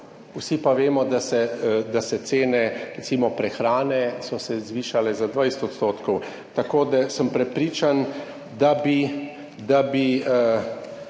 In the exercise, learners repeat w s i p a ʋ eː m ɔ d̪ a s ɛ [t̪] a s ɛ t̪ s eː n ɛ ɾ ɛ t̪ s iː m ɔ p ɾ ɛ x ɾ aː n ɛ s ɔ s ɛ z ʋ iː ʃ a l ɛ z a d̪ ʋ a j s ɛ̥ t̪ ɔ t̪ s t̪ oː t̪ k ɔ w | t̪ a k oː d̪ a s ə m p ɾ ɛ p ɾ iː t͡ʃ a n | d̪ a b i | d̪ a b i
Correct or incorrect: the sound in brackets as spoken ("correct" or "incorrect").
incorrect